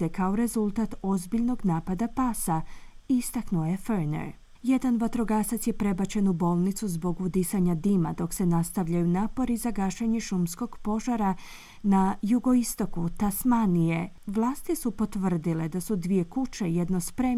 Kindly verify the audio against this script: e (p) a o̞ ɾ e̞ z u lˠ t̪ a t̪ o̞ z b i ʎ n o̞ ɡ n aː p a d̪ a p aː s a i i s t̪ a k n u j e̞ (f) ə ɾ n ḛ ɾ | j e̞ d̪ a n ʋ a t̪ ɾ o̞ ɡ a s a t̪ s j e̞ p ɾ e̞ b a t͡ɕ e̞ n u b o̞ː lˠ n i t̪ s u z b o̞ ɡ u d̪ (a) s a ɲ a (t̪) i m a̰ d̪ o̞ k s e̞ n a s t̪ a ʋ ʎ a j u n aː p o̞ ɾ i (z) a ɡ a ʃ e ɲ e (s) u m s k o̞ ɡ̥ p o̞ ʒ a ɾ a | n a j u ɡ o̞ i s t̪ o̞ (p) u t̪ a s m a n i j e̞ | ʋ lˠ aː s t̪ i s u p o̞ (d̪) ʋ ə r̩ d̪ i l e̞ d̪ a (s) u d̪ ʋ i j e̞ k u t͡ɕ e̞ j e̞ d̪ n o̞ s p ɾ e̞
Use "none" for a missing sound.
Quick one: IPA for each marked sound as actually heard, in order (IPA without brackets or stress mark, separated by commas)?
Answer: k, f, i, d̪, z, ʃ, k, t̪, s